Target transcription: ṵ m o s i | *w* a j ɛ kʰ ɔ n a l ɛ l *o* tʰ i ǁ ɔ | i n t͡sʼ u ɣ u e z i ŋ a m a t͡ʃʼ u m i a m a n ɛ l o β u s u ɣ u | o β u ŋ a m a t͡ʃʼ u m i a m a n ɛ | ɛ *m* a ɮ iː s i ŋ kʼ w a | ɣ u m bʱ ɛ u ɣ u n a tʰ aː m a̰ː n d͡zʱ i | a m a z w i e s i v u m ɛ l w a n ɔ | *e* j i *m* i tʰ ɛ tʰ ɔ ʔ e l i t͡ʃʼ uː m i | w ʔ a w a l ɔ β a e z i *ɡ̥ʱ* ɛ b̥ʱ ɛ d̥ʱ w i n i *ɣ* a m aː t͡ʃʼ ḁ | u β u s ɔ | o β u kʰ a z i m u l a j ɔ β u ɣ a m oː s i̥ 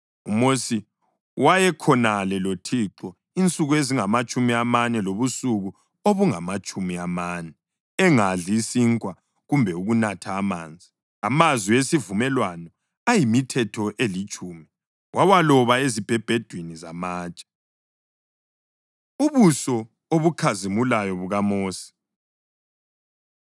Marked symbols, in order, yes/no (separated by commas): yes, yes, no, no, yes, no, no